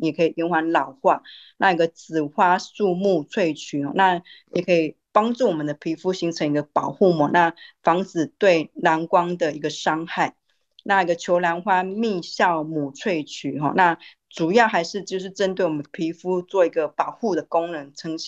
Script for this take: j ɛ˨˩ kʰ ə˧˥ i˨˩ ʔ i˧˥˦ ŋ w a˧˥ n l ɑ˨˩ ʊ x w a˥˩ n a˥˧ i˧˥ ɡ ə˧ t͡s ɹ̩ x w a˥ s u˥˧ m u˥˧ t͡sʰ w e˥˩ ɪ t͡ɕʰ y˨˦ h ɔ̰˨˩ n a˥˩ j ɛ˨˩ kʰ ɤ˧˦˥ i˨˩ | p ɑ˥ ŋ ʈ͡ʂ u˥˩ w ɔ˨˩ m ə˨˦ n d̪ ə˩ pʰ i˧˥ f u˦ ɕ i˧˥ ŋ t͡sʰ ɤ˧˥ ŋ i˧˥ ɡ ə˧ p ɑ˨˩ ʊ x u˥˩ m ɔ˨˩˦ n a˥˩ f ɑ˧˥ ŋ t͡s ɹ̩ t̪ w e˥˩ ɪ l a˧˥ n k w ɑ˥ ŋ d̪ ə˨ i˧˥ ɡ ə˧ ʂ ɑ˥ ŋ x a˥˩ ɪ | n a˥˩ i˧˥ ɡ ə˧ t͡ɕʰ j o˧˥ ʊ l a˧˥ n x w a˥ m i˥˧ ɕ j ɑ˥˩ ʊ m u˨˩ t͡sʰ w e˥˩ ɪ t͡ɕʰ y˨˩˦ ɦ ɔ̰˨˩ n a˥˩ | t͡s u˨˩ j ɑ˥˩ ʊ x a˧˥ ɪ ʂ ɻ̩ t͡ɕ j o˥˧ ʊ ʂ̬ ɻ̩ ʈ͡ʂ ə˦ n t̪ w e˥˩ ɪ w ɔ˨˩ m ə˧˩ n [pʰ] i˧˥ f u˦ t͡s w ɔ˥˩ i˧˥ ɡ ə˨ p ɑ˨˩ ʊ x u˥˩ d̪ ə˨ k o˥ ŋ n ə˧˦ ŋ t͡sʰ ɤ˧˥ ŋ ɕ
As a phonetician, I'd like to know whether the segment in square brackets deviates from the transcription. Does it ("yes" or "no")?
no